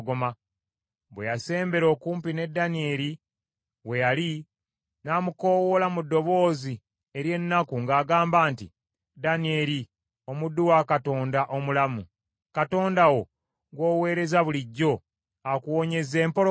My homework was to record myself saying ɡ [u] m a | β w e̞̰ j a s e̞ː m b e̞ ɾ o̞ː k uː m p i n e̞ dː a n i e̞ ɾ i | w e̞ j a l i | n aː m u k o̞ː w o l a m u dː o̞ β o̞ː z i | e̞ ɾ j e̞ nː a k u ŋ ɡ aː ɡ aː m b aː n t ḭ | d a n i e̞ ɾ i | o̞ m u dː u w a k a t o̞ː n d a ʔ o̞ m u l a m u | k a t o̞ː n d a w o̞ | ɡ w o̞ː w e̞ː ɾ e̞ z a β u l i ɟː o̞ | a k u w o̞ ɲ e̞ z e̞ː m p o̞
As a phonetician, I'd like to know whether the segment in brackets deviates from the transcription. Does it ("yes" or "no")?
yes